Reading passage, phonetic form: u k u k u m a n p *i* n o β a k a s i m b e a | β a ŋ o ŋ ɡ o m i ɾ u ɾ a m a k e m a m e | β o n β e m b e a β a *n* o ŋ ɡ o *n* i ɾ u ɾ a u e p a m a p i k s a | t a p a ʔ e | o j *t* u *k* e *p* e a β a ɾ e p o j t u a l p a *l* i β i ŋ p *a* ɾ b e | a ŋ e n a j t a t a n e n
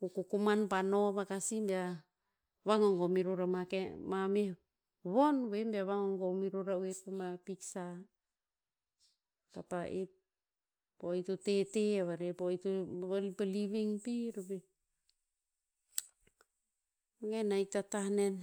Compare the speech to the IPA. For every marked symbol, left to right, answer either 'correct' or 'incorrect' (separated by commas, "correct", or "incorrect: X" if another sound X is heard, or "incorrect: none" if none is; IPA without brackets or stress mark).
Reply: incorrect: a, incorrect: ŋ, incorrect: m, correct, incorrect: t, incorrect: t, correct, incorrect: i